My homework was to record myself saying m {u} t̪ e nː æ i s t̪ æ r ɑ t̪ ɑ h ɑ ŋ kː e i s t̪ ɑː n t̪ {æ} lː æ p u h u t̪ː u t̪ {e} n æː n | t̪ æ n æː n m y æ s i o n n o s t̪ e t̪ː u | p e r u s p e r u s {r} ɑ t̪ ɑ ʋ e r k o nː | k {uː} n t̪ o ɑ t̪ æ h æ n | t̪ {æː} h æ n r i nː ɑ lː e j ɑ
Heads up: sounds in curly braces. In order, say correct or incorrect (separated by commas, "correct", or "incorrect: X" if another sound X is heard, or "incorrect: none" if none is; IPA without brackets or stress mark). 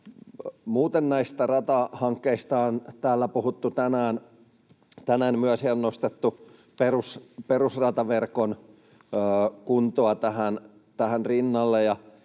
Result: incorrect: uː, incorrect: æː, incorrect: æ, correct, incorrect: u, incorrect: æ